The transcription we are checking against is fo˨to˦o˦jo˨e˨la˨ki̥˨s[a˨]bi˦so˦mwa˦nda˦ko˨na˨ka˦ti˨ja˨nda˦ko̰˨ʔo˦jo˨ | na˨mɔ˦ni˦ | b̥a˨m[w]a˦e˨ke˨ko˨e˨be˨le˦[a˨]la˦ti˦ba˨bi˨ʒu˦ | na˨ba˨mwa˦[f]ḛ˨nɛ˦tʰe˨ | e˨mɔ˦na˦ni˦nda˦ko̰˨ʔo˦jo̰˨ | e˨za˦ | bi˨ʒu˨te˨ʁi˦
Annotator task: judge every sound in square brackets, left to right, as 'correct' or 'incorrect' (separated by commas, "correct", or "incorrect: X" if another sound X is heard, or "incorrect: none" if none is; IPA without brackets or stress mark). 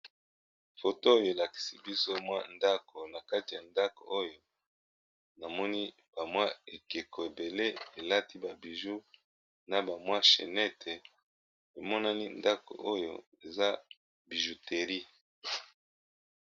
incorrect: i˨, correct, incorrect: e˨, incorrect: ʃ